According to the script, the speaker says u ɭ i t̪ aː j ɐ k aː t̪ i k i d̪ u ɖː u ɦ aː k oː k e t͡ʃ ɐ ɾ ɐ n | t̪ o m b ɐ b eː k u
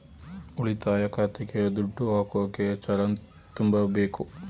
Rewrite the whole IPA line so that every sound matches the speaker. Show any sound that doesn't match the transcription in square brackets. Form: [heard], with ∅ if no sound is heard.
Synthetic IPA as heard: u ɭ i t̪ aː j ɐ k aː t̪ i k [e] d̪ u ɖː u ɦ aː k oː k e t͡ʃ ɐ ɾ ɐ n | t̪ [u] m b ɐ b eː k u